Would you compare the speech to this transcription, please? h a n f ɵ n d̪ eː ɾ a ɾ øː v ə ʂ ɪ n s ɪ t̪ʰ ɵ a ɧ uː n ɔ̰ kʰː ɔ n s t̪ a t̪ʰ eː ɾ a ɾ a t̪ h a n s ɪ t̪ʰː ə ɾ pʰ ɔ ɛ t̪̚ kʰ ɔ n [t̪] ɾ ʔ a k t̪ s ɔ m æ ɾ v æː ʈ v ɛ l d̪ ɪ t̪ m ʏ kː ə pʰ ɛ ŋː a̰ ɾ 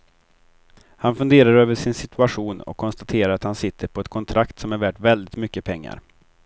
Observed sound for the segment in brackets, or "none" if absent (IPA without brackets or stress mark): t̪ʰ